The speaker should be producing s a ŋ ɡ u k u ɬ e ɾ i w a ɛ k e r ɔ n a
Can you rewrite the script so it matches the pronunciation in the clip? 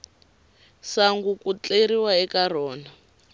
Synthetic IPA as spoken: s a ŋ ɡ u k u t͡ɬ e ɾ i w a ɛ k a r ɔː n a